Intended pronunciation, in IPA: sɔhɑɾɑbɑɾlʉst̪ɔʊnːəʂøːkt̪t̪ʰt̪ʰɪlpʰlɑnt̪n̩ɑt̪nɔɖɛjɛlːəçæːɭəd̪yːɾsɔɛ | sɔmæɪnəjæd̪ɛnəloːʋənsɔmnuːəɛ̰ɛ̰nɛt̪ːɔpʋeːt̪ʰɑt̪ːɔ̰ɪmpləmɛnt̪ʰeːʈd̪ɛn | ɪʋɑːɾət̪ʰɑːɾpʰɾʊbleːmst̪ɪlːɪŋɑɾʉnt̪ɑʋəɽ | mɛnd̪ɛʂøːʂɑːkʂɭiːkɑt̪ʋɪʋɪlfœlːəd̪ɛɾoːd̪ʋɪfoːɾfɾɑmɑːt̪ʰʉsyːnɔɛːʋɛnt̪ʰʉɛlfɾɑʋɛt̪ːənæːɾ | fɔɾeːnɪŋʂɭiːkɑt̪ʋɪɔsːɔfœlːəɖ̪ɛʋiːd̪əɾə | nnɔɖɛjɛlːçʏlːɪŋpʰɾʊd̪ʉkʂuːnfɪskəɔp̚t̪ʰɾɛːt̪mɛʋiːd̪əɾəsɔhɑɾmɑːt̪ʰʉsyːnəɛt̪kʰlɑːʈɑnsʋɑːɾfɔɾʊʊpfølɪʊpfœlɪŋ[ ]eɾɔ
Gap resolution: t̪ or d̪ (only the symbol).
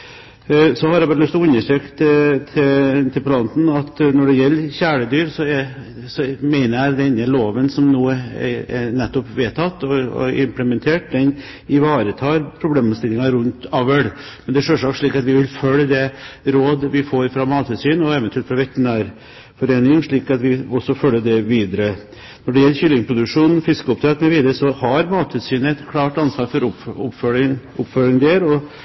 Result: d̪